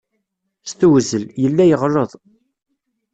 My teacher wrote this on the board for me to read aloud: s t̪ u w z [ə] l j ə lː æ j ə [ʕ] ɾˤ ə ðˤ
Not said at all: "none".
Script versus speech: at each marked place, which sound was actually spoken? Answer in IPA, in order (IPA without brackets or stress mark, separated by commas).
ə, ʁ